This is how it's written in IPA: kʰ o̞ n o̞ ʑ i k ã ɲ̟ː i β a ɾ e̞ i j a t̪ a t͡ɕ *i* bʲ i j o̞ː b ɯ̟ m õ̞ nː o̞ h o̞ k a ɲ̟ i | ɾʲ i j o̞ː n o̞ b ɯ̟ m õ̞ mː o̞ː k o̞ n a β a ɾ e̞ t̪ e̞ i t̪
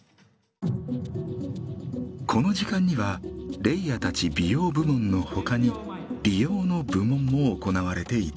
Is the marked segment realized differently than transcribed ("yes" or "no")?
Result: no